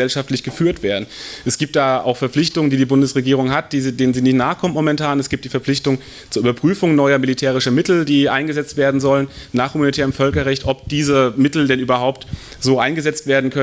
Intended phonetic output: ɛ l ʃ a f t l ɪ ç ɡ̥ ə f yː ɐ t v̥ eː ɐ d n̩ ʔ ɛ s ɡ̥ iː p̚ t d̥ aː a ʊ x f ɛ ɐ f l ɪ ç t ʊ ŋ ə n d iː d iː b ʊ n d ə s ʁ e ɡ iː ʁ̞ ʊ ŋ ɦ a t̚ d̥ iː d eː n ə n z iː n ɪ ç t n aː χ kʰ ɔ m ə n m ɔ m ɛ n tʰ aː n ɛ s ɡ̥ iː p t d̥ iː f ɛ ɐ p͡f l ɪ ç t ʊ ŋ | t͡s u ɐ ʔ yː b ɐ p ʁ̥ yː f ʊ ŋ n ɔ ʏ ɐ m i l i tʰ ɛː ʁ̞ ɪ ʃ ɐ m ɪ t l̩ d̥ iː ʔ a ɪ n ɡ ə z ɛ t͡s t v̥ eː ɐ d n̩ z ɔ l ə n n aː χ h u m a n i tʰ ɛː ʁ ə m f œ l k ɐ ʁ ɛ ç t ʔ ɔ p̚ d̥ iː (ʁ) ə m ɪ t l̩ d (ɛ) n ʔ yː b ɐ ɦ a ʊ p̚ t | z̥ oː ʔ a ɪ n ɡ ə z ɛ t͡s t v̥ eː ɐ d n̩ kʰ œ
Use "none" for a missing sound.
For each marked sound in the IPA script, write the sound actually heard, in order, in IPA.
z, ɛ

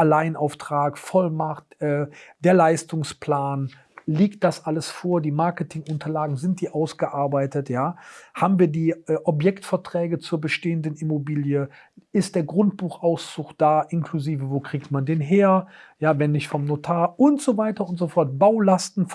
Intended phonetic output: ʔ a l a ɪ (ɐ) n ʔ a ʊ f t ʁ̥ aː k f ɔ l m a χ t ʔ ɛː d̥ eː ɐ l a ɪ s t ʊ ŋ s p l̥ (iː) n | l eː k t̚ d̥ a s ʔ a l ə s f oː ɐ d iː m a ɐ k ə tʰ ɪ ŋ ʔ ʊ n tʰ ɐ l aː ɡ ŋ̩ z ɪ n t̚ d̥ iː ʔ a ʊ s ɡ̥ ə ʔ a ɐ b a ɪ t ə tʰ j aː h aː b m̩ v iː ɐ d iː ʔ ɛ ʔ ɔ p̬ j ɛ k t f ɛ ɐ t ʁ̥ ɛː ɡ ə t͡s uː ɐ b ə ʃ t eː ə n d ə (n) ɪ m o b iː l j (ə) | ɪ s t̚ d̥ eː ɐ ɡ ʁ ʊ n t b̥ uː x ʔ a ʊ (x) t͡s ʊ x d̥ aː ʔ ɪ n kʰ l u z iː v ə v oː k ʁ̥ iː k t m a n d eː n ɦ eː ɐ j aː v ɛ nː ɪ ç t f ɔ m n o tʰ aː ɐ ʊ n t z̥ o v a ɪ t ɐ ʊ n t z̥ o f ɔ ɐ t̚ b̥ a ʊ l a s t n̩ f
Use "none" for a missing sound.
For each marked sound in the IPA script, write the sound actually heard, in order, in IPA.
ə, aː, n, ə, s

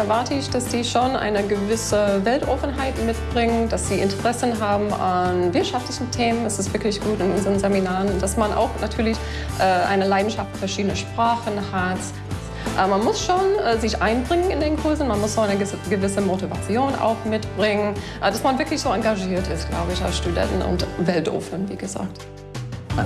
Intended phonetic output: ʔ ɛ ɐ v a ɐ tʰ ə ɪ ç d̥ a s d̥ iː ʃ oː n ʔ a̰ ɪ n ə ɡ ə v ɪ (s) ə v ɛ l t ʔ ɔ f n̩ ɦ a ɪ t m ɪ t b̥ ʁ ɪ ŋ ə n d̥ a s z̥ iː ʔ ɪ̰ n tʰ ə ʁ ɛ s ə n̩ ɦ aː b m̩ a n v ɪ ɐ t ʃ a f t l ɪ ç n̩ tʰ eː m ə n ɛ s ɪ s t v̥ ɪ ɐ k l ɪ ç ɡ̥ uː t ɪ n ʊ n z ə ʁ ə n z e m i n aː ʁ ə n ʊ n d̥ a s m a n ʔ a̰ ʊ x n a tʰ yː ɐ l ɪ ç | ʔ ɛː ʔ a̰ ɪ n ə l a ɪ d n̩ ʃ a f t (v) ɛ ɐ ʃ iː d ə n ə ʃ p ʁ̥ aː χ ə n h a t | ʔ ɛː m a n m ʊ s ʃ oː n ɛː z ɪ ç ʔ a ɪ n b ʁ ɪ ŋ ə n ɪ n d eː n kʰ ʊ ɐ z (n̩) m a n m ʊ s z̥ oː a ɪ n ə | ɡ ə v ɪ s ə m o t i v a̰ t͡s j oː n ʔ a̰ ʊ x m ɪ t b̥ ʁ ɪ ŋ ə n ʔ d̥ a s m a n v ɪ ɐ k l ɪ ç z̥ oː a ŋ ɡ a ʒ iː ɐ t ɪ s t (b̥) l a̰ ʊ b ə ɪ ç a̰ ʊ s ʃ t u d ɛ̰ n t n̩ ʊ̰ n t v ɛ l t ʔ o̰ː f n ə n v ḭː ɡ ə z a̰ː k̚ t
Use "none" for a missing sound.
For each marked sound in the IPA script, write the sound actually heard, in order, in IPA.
s, f, n̩, ɡ̥

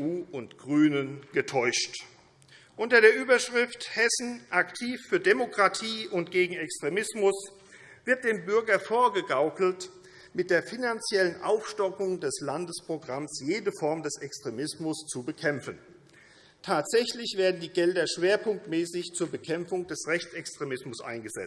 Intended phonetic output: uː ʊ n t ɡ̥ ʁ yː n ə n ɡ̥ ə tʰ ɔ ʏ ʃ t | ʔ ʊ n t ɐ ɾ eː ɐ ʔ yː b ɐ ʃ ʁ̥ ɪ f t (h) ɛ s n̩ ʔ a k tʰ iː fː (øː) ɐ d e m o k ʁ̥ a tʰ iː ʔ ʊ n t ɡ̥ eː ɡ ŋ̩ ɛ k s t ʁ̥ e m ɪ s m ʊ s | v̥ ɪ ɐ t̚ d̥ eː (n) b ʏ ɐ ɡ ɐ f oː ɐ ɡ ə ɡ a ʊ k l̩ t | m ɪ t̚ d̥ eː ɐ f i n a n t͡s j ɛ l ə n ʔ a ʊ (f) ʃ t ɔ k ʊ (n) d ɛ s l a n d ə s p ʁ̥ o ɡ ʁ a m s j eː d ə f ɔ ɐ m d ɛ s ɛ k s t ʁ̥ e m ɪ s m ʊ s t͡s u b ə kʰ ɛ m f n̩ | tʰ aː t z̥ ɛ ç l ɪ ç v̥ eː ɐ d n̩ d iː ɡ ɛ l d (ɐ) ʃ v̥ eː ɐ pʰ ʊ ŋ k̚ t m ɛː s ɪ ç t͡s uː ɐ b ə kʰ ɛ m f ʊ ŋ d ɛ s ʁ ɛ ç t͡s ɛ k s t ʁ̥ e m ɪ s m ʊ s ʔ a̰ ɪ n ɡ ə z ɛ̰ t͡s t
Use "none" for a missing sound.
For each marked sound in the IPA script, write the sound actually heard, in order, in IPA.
h, yː, m, f, ŋ, ɐ

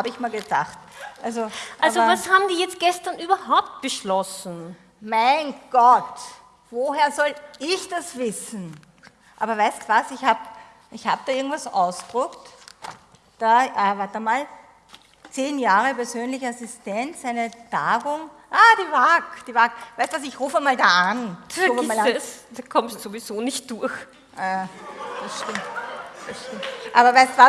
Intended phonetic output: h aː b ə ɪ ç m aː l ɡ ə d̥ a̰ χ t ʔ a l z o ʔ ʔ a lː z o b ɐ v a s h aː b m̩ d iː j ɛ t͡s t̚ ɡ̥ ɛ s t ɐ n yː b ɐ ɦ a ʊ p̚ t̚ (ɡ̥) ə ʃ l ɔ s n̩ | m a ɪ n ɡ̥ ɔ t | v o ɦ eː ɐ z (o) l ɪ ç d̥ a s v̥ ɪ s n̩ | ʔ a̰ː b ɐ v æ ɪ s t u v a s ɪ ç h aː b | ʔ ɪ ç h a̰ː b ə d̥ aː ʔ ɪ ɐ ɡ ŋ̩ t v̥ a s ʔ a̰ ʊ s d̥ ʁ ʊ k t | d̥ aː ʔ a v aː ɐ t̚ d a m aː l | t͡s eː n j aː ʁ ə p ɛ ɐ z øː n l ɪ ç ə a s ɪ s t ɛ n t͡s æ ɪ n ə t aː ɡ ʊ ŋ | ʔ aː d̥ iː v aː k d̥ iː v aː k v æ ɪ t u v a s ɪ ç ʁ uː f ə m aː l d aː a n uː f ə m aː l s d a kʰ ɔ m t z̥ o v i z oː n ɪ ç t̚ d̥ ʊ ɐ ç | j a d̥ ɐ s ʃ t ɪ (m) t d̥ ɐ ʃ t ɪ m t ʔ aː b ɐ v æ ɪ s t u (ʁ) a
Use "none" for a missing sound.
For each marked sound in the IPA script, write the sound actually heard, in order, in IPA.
b̥, ɔ, m, v

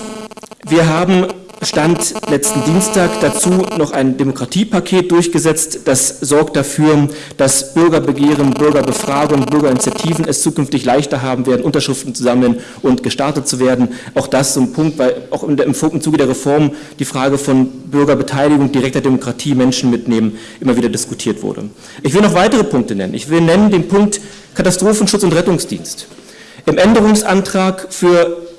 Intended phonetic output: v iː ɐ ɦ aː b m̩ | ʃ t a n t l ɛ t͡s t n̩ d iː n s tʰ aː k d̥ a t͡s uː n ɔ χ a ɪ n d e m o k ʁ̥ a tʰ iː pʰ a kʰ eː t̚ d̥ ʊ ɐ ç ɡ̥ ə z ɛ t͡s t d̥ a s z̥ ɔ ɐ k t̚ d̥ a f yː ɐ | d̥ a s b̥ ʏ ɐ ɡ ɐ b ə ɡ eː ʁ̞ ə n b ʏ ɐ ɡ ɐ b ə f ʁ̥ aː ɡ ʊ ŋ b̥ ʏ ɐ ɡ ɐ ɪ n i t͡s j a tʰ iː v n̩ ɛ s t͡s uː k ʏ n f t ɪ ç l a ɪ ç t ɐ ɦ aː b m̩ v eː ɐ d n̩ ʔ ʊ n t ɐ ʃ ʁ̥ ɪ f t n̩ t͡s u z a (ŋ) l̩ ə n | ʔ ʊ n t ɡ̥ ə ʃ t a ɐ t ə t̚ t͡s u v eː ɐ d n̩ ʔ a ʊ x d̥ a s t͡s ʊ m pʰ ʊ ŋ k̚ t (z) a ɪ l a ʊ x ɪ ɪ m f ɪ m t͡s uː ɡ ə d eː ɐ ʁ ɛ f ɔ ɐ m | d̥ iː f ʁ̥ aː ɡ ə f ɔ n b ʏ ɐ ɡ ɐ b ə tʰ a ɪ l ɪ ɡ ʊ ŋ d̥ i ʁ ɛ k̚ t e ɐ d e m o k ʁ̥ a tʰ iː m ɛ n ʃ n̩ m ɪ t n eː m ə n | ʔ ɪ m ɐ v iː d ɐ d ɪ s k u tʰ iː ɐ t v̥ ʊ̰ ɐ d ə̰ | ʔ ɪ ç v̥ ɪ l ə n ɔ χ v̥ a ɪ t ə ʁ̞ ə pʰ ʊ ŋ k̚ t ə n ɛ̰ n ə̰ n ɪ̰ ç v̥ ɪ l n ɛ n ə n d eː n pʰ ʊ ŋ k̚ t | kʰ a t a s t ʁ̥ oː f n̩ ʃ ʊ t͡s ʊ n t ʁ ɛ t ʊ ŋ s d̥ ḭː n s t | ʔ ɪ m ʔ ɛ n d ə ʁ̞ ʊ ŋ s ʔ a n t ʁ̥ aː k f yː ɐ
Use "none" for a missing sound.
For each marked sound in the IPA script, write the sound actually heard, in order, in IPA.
m, v

